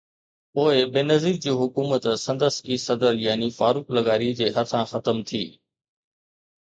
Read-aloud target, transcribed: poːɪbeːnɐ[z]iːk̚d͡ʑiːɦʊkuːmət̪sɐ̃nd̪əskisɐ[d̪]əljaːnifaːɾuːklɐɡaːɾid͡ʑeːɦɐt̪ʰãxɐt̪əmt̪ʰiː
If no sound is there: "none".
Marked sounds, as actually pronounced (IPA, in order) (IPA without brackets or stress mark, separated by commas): z, d̪